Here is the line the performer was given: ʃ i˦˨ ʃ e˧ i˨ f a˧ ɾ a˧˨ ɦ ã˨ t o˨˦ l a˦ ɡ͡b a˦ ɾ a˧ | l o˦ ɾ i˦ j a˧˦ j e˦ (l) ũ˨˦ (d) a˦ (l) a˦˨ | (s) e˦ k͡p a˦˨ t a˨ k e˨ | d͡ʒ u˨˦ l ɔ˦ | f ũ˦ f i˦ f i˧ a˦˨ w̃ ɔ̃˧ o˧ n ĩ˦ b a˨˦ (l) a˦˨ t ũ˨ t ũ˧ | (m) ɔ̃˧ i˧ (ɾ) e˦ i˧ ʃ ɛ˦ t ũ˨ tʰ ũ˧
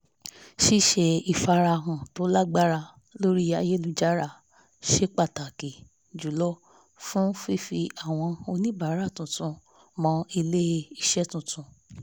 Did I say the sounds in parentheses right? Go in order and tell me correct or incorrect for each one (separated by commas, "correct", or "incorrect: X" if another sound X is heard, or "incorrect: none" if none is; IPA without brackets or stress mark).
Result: correct, incorrect: d͡ʒ, incorrect: ɾ, incorrect: ʃ, incorrect: ɾ, correct, incorrect: l